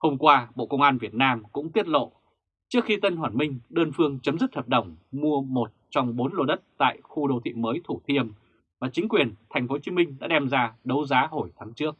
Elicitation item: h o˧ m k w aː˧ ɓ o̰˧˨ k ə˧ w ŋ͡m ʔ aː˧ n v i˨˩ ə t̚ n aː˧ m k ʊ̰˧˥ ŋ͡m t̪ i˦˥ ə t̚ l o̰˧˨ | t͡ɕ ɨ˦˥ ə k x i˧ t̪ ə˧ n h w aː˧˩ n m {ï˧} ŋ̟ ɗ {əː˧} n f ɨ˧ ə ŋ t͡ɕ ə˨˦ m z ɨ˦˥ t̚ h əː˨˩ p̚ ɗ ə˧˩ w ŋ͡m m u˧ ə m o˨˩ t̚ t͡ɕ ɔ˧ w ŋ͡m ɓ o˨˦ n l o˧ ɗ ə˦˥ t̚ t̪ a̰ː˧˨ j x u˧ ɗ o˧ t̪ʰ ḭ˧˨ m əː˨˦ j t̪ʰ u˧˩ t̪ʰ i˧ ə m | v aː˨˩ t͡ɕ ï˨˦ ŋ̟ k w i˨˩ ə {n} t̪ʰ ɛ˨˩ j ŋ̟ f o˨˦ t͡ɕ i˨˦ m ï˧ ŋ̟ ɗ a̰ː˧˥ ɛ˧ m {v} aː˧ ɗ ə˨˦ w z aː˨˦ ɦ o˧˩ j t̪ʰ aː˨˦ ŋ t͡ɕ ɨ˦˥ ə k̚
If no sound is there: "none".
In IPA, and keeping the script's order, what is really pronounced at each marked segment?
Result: ï˧, əː˧, n, z

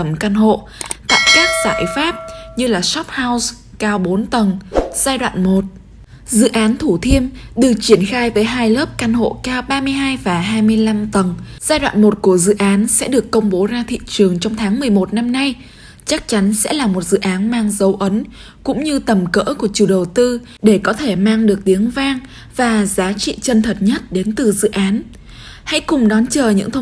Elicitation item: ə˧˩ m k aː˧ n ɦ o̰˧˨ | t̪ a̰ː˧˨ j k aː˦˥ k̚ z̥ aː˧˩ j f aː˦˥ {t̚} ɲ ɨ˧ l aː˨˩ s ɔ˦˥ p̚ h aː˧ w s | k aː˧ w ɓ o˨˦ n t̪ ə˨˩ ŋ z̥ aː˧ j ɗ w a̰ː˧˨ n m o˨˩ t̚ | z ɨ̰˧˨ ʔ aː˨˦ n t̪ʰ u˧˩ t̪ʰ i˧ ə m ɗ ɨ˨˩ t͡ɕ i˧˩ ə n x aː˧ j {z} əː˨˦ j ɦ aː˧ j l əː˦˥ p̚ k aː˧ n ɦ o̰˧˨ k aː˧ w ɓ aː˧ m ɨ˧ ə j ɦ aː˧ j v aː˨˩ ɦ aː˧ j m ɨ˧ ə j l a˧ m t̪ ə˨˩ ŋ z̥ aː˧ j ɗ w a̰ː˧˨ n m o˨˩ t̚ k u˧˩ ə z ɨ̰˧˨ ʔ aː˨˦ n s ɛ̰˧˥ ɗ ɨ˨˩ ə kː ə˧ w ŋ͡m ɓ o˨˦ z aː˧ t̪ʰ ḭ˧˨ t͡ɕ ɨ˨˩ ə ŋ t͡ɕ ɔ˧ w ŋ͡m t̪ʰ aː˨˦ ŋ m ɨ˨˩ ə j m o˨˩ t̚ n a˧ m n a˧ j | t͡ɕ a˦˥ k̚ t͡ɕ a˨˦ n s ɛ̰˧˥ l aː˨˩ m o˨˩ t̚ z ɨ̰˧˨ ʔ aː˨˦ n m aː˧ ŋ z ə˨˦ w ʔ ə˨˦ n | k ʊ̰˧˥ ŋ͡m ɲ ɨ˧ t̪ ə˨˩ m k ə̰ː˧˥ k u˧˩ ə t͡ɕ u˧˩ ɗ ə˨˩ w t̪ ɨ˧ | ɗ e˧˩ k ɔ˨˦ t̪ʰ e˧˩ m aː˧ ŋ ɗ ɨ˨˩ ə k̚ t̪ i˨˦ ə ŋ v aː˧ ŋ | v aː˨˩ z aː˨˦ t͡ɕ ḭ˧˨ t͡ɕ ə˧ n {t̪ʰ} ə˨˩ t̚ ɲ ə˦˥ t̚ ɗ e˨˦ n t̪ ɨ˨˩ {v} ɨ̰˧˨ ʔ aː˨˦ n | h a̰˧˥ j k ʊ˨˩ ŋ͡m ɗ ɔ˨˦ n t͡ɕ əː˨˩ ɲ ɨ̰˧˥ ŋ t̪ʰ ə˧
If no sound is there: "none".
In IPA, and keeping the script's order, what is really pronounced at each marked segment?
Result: p̚, v, t̪ʰ, z

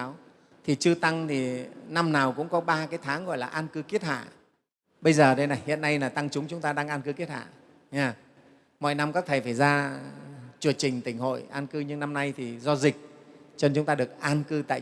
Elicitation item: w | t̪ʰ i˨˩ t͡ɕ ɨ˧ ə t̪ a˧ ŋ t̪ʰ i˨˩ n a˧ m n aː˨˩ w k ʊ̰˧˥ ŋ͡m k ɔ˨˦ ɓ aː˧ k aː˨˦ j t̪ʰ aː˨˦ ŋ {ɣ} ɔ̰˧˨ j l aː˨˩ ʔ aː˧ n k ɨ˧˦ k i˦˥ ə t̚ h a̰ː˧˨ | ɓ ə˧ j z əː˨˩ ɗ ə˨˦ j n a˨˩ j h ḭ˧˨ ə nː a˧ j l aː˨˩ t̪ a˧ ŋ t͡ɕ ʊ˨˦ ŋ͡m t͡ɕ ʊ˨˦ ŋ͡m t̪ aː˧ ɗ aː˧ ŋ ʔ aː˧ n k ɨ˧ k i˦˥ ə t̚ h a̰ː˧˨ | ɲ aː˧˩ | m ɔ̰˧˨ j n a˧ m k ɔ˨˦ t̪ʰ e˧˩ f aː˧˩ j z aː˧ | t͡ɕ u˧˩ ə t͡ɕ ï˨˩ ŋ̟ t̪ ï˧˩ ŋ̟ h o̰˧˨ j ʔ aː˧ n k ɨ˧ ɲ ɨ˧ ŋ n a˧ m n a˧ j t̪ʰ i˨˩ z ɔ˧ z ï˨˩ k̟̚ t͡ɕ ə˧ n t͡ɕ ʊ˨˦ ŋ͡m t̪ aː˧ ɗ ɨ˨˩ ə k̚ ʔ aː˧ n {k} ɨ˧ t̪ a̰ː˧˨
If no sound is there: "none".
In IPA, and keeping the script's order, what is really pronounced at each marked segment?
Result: ɣ, k

